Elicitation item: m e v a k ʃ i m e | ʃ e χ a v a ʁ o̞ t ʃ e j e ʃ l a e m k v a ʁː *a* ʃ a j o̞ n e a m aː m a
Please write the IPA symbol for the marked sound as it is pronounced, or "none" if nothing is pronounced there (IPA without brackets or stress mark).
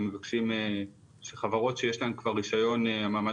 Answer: i